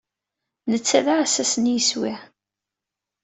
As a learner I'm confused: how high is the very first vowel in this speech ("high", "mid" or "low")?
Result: mid